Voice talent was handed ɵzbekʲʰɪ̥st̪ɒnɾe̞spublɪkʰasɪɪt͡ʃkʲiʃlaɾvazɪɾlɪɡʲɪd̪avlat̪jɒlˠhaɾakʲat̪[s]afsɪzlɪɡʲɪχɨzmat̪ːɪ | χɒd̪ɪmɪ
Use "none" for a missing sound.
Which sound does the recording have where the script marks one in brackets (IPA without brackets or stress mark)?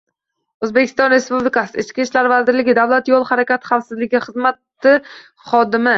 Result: χ